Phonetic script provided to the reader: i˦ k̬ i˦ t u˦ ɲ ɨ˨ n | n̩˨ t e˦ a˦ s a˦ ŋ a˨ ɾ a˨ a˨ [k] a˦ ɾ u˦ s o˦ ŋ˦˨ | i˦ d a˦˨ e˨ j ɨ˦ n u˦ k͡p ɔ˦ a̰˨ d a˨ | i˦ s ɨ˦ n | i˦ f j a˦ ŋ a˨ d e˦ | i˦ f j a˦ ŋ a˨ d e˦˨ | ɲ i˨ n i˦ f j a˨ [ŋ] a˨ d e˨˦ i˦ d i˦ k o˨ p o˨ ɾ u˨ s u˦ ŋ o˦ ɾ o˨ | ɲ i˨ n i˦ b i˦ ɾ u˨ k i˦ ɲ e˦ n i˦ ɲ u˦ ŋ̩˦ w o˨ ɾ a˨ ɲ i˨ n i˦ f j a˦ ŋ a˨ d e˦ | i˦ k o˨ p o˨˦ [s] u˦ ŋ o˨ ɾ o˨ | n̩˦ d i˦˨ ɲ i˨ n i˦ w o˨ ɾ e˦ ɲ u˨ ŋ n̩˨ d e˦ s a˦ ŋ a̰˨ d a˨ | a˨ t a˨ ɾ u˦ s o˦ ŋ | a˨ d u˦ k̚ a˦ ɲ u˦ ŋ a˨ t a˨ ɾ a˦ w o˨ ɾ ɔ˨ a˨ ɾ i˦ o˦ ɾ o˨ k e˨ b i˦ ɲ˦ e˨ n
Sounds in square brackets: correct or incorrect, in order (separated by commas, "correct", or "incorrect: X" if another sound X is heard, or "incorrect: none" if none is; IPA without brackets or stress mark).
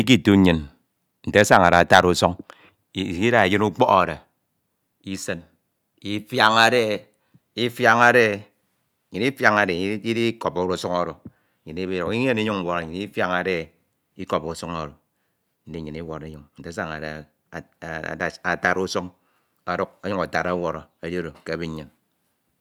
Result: incorrect: t, correct, correct